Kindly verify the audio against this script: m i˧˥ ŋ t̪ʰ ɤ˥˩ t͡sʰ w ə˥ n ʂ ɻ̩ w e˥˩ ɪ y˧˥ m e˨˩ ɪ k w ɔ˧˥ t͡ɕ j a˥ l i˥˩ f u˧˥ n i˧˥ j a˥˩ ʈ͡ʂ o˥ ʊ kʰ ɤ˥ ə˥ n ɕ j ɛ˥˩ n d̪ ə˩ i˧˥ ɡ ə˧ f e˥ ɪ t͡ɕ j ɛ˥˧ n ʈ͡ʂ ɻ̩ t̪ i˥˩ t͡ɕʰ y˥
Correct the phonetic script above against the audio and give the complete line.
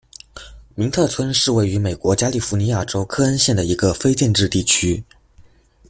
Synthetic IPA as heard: m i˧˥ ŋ t̪ʰ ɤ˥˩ t͡sʰ w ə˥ n ʂ ɻ̩ w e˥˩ ɪ y˧˥ m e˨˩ ɪ k w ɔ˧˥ t͡ɕ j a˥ l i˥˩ f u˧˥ n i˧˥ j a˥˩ ʈ͡ʂ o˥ ʊ kʰ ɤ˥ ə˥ n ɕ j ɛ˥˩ n d̪ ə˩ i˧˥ ɡ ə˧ f e˥ ɪ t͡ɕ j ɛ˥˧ n ʈ͡ʂ ɻ̩ t̪ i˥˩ t͡ɕʰ y˥